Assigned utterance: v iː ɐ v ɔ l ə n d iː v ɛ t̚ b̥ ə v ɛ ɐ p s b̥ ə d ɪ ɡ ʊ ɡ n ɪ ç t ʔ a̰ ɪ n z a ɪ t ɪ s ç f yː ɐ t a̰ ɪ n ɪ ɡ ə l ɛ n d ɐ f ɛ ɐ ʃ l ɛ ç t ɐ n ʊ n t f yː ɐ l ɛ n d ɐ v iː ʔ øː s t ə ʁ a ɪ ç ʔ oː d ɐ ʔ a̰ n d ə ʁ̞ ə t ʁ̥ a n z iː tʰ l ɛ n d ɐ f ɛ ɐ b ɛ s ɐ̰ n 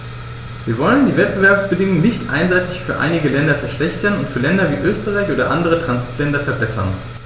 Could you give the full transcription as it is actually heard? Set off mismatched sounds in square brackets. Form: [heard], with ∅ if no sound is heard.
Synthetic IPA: v iː ɐ v ɔ l ə n d iː v ɛ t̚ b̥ ə v ɛ ɐ p s b̥ ə d ɪ [ŋ] ʊ [ŋ] n ɪ ç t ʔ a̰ ɪ n z a ɪ t ɪ [∅] ç f yː ɐ [ʔ] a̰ ɪ n ɪ ɡ ə l ɛ n d ɐ f ɛ ɐ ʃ l ɛ ç t ɐ n ʊ n t f yː ɐ l ɛ n d ɐ v iː ʔ øː s t ə ʁ a ɪ ç ʔ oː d ɐ ʔ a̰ n d ə ʁ̞ ə t ʁ̥ a n z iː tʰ l ɛ n d ɐ f ɛ ɐ b ɛ s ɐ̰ n